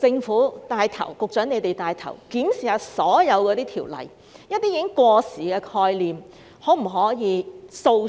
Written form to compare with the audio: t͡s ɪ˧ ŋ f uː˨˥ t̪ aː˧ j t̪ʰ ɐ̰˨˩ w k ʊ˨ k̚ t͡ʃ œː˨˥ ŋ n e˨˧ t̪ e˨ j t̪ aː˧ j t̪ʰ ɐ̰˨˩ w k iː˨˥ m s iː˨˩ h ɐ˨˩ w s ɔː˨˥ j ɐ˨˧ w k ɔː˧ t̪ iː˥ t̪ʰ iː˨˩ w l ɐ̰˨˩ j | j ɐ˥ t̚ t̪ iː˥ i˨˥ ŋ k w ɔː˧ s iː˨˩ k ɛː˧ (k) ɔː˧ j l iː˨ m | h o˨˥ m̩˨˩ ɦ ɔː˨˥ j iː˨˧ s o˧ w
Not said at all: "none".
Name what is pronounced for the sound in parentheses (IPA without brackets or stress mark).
kʰ